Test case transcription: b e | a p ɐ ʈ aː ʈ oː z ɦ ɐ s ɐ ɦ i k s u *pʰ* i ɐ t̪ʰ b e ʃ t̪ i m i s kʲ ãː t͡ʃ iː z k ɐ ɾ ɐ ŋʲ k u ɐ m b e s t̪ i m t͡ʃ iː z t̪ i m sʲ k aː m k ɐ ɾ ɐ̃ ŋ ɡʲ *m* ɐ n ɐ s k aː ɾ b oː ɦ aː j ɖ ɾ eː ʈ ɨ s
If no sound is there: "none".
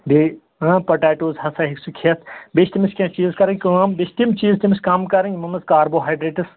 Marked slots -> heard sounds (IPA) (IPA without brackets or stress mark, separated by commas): kʰ, m